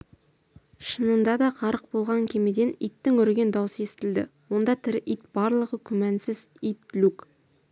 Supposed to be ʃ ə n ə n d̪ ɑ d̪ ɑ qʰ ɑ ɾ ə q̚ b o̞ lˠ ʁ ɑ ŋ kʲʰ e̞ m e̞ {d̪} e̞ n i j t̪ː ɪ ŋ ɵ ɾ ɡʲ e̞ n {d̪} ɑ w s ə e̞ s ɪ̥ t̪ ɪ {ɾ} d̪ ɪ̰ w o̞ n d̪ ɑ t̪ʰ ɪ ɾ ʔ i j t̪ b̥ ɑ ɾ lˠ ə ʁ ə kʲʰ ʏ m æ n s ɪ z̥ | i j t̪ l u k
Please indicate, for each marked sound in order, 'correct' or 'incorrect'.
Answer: correct, correct, incorrect

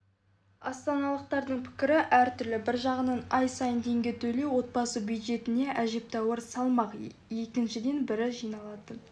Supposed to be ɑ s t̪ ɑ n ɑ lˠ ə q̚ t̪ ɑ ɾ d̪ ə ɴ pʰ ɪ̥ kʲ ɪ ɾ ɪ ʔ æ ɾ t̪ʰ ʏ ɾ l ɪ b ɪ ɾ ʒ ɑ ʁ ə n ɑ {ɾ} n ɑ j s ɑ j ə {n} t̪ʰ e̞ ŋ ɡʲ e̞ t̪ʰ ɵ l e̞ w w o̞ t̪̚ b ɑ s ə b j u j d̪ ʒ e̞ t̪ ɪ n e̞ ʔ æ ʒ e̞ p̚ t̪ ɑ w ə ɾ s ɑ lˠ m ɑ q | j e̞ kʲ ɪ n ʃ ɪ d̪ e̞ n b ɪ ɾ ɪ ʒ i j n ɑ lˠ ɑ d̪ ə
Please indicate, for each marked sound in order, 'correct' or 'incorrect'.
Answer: incorrect, correct

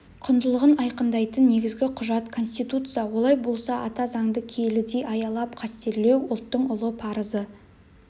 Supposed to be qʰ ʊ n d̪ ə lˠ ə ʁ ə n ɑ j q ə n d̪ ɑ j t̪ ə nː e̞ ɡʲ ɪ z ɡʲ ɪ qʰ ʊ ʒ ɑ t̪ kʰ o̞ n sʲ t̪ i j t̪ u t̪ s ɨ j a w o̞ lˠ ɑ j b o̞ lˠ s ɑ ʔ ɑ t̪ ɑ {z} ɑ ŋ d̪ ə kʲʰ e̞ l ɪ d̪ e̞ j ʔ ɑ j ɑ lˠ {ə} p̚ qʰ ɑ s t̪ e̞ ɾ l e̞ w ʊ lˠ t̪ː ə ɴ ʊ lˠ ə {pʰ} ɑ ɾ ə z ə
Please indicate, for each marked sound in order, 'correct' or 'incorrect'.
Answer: correct, incorrect, correct

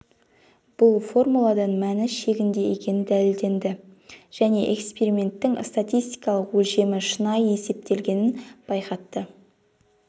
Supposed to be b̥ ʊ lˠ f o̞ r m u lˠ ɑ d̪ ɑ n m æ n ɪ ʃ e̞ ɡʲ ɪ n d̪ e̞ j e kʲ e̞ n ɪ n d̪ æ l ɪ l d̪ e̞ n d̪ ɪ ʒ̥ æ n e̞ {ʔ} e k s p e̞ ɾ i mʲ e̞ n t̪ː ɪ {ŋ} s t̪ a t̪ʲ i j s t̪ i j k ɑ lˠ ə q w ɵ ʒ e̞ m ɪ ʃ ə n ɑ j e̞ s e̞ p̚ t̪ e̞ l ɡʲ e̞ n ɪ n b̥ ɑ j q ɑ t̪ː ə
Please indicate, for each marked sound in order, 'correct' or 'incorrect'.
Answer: correct, correct

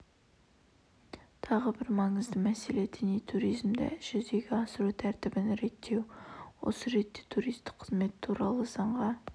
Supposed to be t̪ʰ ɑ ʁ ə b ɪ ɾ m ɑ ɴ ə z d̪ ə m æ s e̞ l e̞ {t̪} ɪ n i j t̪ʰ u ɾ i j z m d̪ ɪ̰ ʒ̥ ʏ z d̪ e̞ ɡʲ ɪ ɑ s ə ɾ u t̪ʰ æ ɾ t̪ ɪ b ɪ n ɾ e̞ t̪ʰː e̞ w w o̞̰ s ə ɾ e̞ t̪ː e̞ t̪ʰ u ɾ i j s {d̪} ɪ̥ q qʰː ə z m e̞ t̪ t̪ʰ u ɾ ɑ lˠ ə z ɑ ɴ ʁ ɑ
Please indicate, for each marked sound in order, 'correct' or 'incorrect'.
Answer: incorrect, incorrect

